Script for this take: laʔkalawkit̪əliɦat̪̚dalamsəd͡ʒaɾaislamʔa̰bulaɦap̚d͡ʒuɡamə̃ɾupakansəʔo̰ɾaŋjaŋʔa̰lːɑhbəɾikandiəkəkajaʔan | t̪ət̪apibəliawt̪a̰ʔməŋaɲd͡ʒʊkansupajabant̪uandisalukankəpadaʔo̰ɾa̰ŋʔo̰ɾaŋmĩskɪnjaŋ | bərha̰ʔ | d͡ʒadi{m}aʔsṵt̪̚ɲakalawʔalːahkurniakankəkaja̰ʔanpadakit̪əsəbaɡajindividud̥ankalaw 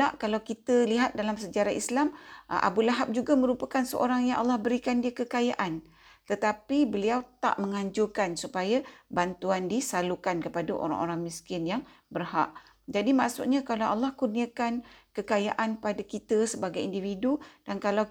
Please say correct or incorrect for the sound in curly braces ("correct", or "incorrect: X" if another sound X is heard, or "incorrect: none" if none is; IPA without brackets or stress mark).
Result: correct